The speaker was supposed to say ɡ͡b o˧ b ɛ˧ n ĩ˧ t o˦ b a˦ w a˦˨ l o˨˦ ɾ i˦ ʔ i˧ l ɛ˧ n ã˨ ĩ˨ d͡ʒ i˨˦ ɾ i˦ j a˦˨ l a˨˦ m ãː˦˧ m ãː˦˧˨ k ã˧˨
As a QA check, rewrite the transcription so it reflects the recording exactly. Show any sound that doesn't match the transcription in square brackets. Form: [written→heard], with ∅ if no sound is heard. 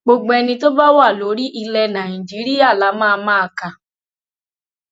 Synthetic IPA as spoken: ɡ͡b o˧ [b→ɡ͡b] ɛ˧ n ĩ˧ t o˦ b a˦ w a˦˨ l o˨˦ ɾ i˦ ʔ i˧ l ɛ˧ n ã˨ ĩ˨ d͡ʒ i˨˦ ɾ i˦ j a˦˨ l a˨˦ m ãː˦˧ m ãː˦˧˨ k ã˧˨